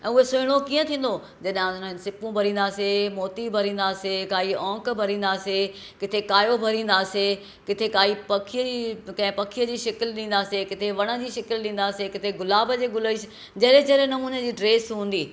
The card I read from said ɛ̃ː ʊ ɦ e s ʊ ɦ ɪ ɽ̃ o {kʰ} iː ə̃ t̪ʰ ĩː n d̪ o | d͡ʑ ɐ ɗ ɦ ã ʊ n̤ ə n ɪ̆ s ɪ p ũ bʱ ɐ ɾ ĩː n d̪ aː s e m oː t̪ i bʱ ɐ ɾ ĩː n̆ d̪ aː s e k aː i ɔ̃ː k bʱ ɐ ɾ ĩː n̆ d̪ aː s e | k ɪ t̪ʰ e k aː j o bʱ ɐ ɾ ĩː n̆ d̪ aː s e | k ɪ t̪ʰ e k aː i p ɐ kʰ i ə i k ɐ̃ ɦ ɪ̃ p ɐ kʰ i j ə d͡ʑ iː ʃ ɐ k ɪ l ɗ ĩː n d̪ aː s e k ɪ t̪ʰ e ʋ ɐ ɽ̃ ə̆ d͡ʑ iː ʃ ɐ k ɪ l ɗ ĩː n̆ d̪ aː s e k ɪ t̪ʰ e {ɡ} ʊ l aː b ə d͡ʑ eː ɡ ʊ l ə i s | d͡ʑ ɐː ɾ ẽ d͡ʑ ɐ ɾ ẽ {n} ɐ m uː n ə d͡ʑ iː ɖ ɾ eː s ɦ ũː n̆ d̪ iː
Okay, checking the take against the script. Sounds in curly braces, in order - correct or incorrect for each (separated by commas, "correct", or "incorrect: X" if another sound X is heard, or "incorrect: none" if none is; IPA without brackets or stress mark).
incorrect: k, correct, correct